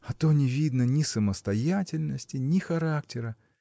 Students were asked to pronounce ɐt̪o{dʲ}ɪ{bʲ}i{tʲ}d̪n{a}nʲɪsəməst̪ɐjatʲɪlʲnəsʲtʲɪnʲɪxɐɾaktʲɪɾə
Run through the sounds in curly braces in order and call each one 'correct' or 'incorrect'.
incorrect: nʲ, incorrect: vʲ, incorrect: none, incorrect: ə

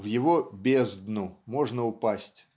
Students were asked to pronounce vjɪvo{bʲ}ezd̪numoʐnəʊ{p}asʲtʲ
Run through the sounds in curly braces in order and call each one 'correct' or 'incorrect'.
correct, correct

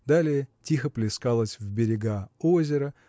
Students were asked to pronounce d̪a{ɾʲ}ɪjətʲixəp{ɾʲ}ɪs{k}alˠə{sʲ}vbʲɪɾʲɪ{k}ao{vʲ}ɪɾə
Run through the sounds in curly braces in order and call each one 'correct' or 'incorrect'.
incorrect: lʲ, incorrect: lʲ, correct, correct, incorrect: ɡ, incorrect: zʲ

